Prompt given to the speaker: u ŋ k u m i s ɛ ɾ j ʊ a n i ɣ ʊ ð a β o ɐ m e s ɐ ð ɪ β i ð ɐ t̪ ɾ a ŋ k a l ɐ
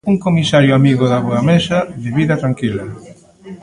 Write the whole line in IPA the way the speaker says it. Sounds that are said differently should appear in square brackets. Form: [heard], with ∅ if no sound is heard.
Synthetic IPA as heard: u ŋ k [o] m i s [a] ɾ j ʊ a [m] i ɣ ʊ ð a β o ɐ m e s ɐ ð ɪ β i ð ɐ t̪ ɾ a ŋ k [i] l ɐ

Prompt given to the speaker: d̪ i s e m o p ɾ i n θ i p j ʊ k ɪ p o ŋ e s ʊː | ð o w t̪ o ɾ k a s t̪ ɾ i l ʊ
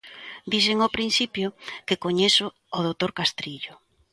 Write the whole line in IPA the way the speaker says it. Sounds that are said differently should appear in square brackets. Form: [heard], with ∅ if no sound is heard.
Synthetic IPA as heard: d̪ i s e [ŋ] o p ɾ i n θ i p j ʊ k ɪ [k] o [ɲ] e s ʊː | ð o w t̪ o ɾ k a s t̪ ɾ i [ʎ] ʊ

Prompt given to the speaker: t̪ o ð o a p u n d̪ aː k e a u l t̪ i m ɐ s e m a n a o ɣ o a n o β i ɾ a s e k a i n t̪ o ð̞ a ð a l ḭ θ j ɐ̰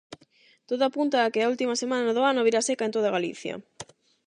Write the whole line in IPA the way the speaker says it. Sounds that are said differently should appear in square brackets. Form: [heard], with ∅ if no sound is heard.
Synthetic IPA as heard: t̪ o ð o a p u n [t̪] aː k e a u l t̪ i m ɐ s e m a n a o [ð] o a n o β i ɾ a s e k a [e] n t̪ o ð̞ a [ɣ] a l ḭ θ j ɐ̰

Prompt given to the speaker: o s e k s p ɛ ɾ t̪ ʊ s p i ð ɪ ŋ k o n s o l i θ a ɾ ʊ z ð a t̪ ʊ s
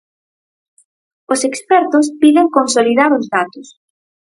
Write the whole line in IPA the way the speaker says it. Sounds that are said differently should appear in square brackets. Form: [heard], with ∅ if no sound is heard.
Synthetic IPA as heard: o s e k s p ɛ ɾ t̪ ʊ s p i ð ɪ ŋ k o n s o l i [ð] a ɾ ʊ z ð a t̪ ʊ s

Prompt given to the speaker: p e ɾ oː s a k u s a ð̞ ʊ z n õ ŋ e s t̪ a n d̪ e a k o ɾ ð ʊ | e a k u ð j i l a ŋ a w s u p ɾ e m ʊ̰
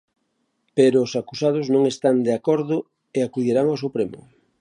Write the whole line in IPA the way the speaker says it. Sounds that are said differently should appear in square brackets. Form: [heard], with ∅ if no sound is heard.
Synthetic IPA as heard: p e ɾ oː s a k u s a ð̞ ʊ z n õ ŋ e s t̪ a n d̪ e a k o ɾ ð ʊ | e a k u ð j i [ɾ] a ŋ a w s u p ɾ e m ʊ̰

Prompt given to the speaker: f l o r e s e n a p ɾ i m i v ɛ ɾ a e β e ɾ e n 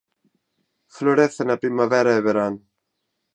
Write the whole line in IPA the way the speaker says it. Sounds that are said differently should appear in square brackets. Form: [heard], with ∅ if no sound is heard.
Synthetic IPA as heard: f l o [ɾ] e [θ] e n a p ɾ i m [a] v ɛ ɾ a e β e ɾ [a] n

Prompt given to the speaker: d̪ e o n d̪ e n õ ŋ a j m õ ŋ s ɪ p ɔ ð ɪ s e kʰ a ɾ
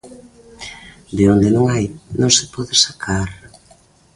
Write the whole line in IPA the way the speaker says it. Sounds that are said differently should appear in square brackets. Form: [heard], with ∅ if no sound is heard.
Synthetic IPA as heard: d̪ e o n d̪ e n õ ŋ a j [n] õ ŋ s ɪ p ɔ ð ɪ s [a] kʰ a ɾ

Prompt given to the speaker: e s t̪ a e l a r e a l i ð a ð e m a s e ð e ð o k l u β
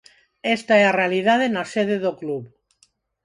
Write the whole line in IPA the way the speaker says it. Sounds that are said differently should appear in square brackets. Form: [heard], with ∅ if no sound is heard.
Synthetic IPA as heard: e s t̪ a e [∅] a r e a l i ð a ð e [n] a s e ð e ð o k l u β

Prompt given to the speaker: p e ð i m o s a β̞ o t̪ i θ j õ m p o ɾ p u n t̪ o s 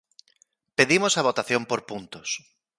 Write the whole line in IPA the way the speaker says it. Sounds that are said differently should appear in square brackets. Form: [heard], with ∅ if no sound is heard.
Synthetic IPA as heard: p e ð i m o s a β̞ o t̪ [a] θ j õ m p o ɾ p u n t̪ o s

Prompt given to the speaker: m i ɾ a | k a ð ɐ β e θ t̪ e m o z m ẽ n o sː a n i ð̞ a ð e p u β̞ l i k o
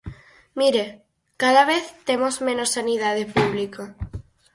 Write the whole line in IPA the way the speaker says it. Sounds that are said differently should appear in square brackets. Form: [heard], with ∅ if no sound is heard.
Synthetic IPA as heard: m i ɾ [e] | k a ð [a] β e θ t̪ e m o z m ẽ n o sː a n i ð̞ a ð e p u β̞ l i k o

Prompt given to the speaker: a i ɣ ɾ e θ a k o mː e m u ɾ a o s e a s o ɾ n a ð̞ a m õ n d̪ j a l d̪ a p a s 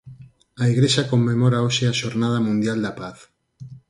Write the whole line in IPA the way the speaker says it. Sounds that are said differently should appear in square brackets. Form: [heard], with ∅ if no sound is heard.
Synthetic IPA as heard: a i ɣ ɾ e [ʃ] a k o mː e m [o] ɾ a o [ʃ] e a [ʃ] o ɾ n a ð̞ a m [ũ] n d̪ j a l d̪ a p a [θ]

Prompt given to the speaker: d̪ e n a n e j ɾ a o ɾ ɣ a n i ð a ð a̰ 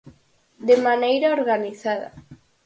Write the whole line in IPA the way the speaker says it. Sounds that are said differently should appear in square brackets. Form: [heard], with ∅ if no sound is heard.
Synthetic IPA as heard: d̪ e [m] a n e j ɾ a o ɾ ɣ a n i [θ] a ð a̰

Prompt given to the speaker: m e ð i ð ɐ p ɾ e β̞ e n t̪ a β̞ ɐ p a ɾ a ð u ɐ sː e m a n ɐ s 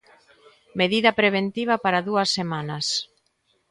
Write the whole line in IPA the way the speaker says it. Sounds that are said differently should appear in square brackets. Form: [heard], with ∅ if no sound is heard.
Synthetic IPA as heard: m e ð i ð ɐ p ɾ e β̞ e n t̪ [i] β̞ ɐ p a ɾ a ð u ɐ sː e m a n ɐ s

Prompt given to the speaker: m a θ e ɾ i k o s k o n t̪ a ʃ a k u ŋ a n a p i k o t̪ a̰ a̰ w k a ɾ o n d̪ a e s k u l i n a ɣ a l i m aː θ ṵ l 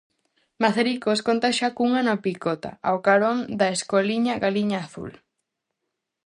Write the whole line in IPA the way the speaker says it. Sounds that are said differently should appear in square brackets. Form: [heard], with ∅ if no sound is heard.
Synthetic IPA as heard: m a θ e ɾ i k o s k o n t̪ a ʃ a k u ŋ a n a p i k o t̪ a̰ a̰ w k a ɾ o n d̪ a e s k [o] l i [ɲ] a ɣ a l i [ɲ] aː θ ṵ l

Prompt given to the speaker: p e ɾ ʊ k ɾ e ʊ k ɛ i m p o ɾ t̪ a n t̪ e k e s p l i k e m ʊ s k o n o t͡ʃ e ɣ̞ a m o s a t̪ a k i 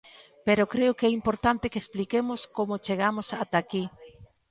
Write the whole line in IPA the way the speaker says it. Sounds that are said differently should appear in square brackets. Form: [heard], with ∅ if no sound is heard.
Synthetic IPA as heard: p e ɾ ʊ k ɾ e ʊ k ɛ i m p o ɾ t̪ a n t̪ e k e s p l i k e m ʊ s k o [m] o t͡ʃ e ɣ̞ a m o s a t̪ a k i

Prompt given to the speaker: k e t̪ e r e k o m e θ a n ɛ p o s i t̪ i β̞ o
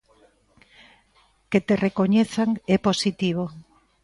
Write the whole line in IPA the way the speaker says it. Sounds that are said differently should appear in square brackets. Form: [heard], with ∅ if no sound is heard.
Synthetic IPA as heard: k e t̪ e r e k o [ɲ] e θ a [ŋ] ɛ p o s i t̪ i β̞ o

